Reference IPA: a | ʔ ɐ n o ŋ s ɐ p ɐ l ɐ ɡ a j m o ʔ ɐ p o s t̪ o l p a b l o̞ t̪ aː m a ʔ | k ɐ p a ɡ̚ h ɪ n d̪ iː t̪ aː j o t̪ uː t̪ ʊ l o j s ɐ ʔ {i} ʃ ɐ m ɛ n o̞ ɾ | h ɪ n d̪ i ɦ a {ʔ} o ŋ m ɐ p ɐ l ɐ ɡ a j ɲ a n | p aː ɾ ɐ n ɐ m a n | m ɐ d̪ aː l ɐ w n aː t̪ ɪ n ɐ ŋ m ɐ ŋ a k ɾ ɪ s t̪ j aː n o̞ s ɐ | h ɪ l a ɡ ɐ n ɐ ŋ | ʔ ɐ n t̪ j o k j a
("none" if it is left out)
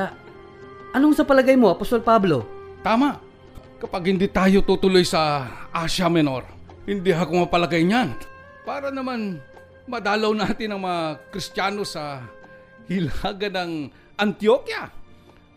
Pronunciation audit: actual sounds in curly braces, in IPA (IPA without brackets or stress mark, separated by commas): a, k